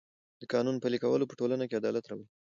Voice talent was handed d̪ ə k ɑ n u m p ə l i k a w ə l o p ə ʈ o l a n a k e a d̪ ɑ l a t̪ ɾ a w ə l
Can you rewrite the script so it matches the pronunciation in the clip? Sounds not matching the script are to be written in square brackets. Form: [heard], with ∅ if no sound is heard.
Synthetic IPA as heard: d̪ ə k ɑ n u [n] p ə l i k a w ə l o p ə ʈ o l a n a k e a d̪ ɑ l a t̪ ɾ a w ə l